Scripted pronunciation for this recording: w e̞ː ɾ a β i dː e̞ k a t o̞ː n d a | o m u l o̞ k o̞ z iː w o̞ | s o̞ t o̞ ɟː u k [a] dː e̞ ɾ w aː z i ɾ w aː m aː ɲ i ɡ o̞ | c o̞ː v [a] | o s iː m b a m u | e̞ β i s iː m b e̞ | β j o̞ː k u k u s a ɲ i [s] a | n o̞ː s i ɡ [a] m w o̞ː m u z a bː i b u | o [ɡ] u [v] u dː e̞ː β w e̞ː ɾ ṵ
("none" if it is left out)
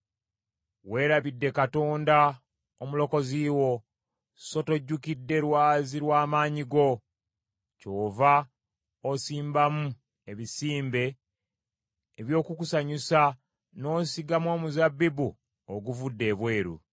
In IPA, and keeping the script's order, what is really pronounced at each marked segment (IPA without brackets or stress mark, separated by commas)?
i, a, s, a, ɡ, v